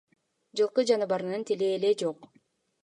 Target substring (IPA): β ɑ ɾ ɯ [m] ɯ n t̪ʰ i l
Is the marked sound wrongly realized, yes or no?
yes